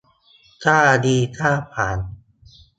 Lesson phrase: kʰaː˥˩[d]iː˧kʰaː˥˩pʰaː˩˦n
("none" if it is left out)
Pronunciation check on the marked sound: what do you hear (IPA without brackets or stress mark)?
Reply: d